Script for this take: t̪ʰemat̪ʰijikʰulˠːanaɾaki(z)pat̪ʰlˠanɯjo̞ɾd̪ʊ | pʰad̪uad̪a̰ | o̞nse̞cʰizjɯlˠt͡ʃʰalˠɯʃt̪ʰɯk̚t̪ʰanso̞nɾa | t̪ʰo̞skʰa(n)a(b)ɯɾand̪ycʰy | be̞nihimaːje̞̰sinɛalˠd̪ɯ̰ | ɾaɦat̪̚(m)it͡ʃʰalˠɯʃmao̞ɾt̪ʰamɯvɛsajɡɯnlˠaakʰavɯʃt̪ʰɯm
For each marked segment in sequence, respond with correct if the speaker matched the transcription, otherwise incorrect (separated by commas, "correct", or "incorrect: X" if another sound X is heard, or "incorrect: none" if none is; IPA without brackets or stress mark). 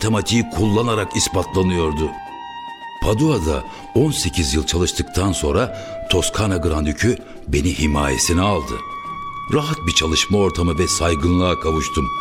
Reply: incorrect: s, correct, incorrect: ɡ, incorrect: b